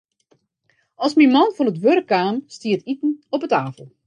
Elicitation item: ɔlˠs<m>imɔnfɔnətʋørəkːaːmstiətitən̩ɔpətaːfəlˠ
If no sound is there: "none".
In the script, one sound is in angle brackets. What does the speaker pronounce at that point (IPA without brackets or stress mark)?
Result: m